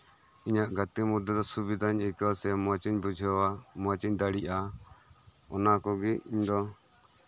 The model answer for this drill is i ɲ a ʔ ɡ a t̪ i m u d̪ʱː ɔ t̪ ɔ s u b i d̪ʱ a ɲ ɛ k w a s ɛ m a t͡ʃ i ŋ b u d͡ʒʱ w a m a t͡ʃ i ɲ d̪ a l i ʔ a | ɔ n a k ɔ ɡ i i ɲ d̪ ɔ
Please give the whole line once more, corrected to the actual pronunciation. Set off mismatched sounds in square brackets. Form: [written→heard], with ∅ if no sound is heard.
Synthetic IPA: i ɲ a ʔ ɡ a t̪ i m u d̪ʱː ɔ [t̪→d̪] ɔ s u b i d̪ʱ a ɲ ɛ k w a s ɛ m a t͡ʃ i [ŋ→ɲ] b u d͡ʒʱ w a m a t͡ʃ i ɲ d̪ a [l→ɽ] i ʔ a | ɔ n a k ɔ ɡ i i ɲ d̪ ɔ